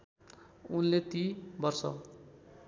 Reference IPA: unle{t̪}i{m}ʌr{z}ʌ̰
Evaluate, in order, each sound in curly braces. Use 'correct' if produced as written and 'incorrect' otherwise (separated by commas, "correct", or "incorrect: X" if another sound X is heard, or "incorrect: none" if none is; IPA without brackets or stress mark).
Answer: correct, incorrect: b, incorrect: s